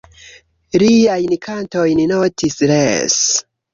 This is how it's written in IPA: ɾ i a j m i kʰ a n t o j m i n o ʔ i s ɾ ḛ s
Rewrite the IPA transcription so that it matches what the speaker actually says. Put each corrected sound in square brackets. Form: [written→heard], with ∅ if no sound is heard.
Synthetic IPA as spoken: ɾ i a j [m→n] i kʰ a n t o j [m→n] i n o [ʔ→t] i s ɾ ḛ s